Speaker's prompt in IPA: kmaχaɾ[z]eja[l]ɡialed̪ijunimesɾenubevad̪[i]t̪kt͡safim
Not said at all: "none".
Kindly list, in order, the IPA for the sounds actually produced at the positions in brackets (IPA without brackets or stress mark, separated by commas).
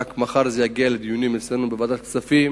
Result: z, none, a